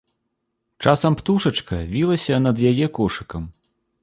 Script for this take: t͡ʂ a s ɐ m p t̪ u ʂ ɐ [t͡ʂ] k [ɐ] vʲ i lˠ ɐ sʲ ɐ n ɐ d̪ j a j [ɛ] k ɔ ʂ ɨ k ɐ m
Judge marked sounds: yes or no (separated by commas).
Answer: yes, yes, yes